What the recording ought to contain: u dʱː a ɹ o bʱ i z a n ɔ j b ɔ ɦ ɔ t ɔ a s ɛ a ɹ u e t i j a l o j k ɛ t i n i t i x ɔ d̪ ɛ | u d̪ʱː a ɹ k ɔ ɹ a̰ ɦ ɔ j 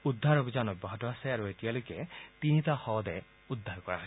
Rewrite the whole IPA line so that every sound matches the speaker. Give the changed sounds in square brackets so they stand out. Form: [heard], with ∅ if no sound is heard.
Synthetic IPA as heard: u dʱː a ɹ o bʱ i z a n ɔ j b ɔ ɦ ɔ t ɔ a s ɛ a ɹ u e t i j a l o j k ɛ t i n i t [a] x ɔ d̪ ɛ | u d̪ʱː a ɹ k ɔ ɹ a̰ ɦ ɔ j